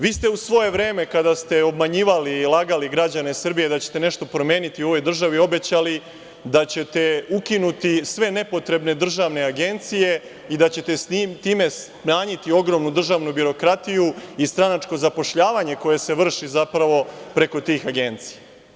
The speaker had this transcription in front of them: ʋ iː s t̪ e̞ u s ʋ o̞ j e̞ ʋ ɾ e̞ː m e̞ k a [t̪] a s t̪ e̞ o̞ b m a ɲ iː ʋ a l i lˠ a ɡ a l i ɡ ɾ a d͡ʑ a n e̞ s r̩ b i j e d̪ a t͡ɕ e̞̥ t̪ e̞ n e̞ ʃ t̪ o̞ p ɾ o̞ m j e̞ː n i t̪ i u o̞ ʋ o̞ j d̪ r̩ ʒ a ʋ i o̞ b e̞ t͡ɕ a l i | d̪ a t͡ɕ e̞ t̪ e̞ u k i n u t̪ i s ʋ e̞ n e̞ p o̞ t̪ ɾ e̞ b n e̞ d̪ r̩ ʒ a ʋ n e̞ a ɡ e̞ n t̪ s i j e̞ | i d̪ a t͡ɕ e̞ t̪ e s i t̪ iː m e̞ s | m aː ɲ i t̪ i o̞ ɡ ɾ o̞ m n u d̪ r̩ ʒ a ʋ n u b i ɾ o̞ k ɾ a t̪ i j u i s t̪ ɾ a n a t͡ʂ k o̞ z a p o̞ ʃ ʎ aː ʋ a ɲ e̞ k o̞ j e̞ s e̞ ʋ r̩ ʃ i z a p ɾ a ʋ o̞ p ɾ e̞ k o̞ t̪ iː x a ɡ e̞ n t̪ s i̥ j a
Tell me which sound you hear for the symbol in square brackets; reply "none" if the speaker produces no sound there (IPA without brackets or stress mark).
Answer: d̪